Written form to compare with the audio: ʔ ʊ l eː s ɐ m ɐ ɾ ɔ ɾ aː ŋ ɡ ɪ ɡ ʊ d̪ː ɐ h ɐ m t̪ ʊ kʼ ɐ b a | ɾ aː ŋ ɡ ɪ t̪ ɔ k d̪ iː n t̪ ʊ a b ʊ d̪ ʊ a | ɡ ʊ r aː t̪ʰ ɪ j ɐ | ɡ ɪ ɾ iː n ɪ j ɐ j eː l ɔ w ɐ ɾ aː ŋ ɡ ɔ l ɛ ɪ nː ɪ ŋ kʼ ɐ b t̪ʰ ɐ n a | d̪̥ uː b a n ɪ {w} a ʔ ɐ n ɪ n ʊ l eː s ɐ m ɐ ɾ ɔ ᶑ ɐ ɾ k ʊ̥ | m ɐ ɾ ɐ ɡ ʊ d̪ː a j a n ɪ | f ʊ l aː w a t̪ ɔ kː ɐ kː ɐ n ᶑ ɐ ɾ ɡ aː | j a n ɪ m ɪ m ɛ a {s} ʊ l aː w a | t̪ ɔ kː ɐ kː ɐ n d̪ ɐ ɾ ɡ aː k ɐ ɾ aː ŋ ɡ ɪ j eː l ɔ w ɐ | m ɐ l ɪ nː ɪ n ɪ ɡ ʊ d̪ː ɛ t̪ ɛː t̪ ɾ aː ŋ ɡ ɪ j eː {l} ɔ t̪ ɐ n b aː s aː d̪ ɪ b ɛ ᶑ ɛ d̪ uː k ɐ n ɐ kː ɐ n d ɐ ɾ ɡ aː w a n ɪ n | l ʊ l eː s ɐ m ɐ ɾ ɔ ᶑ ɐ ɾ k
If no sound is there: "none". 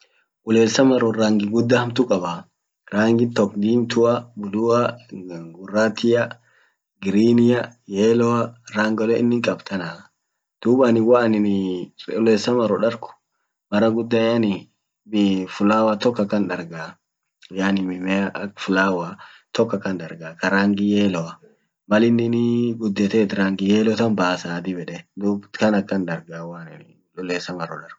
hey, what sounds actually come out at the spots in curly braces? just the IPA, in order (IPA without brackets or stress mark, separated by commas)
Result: w, f, l